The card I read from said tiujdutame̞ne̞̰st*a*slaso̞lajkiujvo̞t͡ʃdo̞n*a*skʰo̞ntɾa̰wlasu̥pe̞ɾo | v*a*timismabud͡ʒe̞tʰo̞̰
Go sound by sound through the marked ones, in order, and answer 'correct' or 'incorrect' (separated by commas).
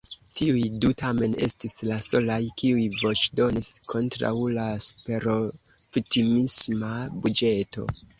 incorrect, incorrect, incorrect